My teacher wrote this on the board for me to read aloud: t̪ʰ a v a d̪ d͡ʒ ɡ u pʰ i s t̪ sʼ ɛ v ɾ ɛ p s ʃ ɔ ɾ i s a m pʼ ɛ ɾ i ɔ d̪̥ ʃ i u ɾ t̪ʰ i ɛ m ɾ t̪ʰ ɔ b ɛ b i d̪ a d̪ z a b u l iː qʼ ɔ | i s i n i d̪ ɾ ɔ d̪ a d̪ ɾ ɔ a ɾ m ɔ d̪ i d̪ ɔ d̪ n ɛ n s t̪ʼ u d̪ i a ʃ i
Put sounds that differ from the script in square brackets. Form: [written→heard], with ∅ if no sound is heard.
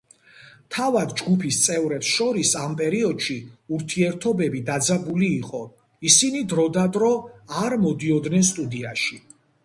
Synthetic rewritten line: t̪ʰ a v a d̪ d͡ʒ ɡ u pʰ i s t̪ sʼ ɛ v ɾ ɛ p s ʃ ɔ ɾ i s a m pʼ ɛ ɾ i ɔ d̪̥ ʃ i u ɾ t̪ʰ i ɛ [m→∅] ɾ t̪ʰ ɔ b ɛ b i d̪ a d̪ z a b u l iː qʼ ɔ | i s i n i d̪ ɾ ɔ d̪ a d̪ ɾ ɔ a ɾ m ɔ d̪ i [d̪→∅] ɔ d̪ n ɛ n s t̪ʼ u d̪ i a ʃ i